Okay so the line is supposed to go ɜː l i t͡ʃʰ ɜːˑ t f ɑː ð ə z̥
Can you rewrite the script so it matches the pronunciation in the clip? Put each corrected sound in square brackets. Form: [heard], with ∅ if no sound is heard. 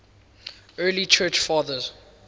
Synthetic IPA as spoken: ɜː l i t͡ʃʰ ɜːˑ [t͡ʃ] f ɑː ð ə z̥